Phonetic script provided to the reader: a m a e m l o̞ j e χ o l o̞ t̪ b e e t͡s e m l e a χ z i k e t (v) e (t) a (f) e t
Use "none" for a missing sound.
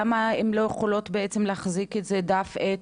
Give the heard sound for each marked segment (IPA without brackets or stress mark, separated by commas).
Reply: z, d, f